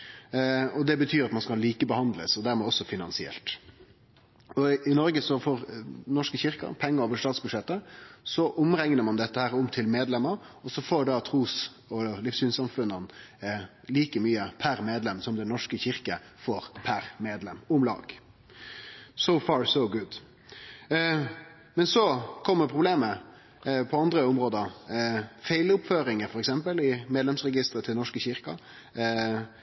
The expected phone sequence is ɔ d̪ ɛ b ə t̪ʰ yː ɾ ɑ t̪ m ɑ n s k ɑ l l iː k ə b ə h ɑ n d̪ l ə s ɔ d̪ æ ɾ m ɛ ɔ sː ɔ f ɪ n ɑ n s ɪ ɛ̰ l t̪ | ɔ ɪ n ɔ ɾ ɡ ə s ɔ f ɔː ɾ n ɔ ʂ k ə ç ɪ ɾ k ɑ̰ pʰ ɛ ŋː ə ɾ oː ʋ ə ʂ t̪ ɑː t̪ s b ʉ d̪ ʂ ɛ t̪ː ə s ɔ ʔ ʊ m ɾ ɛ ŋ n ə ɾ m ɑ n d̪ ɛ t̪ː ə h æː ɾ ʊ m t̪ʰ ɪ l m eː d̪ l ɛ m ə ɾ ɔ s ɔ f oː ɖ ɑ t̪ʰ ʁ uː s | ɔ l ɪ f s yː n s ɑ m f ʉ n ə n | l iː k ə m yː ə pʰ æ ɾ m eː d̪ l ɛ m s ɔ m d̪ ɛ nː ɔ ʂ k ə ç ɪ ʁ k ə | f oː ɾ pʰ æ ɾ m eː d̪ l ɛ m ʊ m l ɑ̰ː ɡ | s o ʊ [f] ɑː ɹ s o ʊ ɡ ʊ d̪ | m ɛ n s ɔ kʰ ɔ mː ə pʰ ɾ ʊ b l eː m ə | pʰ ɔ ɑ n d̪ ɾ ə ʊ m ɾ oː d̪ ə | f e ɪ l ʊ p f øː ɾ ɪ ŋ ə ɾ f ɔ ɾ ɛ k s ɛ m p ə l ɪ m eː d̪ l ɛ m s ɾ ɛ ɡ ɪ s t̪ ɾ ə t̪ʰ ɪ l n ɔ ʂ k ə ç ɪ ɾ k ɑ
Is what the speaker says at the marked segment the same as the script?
yes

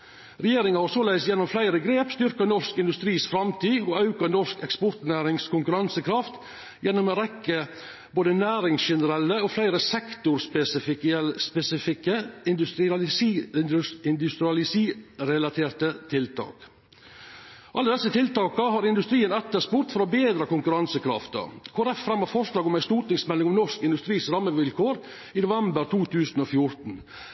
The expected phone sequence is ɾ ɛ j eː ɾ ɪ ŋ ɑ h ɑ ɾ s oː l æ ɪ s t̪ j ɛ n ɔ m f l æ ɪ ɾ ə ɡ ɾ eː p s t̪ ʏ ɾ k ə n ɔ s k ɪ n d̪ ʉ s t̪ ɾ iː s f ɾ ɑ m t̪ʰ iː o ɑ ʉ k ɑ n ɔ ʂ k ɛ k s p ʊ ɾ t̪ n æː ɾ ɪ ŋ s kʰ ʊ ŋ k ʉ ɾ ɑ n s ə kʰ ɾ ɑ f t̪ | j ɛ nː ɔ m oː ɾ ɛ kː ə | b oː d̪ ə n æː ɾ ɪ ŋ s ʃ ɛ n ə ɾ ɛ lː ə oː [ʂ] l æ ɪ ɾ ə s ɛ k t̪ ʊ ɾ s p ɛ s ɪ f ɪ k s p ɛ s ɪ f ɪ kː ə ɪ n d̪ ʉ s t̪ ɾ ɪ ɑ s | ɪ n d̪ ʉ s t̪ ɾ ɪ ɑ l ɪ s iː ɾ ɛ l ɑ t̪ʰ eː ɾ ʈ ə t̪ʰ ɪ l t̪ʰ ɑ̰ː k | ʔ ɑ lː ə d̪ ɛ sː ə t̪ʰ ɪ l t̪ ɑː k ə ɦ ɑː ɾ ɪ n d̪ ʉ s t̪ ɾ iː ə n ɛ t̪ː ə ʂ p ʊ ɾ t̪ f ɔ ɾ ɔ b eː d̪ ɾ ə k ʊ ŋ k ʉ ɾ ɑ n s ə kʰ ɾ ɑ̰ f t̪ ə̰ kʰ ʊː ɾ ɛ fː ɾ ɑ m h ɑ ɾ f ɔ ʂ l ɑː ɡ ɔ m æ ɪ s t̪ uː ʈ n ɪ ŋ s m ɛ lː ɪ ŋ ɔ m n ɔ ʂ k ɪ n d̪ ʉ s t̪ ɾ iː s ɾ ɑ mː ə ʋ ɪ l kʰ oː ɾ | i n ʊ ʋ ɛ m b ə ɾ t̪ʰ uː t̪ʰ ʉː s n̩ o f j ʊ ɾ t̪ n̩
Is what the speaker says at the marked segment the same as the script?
no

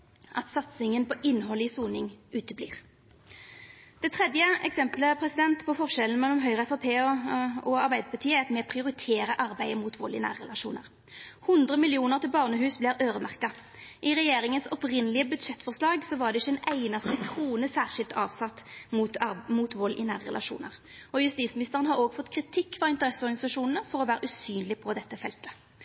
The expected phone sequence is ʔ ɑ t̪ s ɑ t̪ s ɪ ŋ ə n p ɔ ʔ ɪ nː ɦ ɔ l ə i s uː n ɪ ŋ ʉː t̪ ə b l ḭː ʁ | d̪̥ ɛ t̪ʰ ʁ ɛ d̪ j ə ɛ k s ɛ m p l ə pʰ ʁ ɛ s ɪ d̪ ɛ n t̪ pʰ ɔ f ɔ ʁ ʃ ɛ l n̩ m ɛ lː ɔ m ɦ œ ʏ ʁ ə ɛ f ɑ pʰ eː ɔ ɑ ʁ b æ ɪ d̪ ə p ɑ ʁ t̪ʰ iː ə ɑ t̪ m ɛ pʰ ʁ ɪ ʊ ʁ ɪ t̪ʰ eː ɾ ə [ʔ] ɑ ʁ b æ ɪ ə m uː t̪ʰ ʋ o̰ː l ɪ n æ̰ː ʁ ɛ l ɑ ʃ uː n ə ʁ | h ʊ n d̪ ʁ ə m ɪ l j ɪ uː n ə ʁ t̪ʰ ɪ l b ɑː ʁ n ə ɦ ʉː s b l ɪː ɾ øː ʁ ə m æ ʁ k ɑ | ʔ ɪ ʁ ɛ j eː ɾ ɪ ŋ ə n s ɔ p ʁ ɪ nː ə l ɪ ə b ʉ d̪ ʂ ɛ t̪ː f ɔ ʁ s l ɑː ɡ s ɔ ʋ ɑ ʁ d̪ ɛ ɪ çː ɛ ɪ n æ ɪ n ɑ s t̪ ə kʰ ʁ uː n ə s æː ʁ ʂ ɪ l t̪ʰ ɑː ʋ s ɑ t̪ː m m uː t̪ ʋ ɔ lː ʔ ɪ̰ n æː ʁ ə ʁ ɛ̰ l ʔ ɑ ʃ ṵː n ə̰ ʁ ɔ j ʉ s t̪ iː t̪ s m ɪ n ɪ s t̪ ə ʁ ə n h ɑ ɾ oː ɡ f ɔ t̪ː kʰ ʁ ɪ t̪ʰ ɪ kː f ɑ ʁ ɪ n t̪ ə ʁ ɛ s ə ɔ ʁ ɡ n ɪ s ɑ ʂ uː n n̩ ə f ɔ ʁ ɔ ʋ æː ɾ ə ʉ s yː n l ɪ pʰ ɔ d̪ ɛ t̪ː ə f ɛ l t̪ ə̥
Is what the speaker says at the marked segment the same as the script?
yes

